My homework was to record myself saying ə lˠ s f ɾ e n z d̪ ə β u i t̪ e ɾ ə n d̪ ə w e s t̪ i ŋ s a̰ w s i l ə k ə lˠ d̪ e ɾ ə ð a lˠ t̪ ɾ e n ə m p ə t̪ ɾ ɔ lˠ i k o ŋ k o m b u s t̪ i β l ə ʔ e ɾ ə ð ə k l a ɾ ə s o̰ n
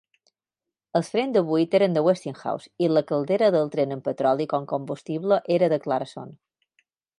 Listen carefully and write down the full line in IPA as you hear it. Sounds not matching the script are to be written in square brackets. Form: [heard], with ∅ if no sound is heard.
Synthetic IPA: ə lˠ s f ɾ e n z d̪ ə β u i t̪ e ɾ ə n d̪ ə w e s t̪ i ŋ [x] a̰ w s i l ə k ə lˠ d̪ e ɾ ə ð [ə] lˠ t̪ ɾ e n ə m p ə t̪ ɾ ɔ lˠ i k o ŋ k o m b u s t̪ i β l ə ʔ e ɾ ə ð ə k l a ɾ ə s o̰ n